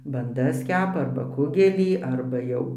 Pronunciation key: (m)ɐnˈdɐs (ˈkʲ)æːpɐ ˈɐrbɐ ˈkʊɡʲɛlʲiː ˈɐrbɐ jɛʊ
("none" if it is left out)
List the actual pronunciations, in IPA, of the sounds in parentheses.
b, kʲ

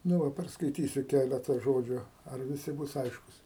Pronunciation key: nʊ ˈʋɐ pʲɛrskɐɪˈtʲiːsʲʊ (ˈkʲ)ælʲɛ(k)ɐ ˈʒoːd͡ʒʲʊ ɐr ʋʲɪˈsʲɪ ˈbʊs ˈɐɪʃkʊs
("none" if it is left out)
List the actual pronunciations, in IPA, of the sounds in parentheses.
kʲ, t

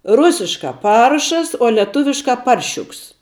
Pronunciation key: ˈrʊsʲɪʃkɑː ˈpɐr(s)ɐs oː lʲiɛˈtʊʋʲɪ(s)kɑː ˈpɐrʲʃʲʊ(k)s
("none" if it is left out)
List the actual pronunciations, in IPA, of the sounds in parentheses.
ʃ, ʃ, k

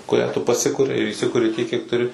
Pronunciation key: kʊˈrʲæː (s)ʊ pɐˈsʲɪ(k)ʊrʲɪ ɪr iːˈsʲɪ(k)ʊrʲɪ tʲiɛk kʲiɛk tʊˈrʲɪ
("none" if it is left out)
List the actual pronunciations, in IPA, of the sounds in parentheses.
t, k, k

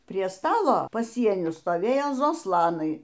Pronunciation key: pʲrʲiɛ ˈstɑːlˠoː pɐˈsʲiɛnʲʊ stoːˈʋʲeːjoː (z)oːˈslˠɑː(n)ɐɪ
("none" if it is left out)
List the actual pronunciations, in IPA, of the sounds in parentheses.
z, n

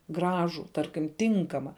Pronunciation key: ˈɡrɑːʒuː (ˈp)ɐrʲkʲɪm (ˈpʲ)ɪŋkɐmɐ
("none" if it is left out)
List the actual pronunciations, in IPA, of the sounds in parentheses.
t, tʲ

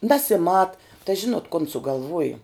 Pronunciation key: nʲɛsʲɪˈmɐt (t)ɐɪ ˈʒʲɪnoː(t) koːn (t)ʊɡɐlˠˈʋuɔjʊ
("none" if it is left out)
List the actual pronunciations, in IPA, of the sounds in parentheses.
t, t, s

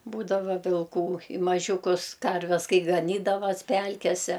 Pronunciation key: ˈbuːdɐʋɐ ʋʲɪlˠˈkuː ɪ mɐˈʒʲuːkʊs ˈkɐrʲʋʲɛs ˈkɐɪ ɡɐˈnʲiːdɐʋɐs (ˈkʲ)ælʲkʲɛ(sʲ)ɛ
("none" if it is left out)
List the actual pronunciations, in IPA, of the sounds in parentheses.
pʲ, sʲ

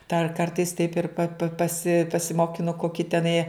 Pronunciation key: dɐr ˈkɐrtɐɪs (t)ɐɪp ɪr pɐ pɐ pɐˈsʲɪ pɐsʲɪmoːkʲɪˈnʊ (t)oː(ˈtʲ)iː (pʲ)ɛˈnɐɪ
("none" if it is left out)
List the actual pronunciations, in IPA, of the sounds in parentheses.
t, k, kʲ, tʲ

